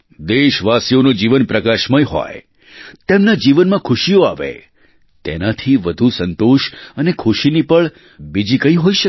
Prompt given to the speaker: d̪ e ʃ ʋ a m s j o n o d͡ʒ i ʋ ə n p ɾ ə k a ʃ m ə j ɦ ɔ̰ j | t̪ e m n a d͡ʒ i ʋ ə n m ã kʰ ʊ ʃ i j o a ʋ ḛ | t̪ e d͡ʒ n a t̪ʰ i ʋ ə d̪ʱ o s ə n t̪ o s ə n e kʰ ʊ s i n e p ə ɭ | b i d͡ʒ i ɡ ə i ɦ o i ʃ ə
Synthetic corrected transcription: d̪ e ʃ ʋ a s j o n o d͡ʒ i ʋ ə n p ɾ ə k a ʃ m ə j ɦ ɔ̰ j | t̪ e m n a d͡ʒ i ʋ ə n m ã kʰ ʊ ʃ i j o a ʋ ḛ | t̪ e n a t̪ʰ i ʋ ə d̪ʱ u s ə n t̪ o ʃ ə n e kʰ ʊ ʃ i n i p ə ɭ | b i d͡ʒ i k ə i ɦ o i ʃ ə